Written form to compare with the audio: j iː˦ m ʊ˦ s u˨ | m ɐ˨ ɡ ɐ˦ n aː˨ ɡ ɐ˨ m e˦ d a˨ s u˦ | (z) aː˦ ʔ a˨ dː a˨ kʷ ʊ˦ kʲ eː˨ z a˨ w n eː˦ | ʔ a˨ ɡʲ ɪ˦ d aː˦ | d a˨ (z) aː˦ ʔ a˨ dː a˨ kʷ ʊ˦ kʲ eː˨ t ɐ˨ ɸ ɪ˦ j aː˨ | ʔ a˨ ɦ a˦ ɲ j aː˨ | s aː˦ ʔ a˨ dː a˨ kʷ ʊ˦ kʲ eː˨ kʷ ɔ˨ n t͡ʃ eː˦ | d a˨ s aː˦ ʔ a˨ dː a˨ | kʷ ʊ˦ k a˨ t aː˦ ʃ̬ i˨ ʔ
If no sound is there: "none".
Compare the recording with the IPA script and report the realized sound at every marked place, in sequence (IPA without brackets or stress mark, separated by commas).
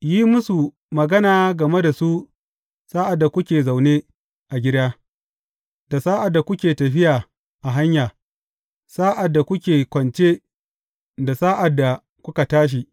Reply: s, s